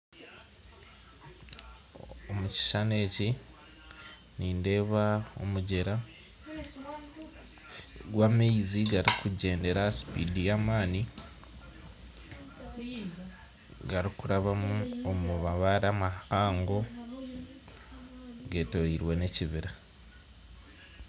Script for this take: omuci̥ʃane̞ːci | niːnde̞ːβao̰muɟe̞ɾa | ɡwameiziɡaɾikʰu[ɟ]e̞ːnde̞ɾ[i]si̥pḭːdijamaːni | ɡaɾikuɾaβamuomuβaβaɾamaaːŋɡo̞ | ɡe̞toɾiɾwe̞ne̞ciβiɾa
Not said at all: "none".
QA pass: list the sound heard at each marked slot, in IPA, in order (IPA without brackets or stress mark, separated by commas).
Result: ɟ, a